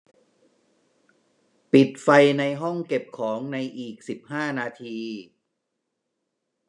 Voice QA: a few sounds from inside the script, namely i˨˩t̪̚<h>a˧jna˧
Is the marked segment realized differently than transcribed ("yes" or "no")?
yes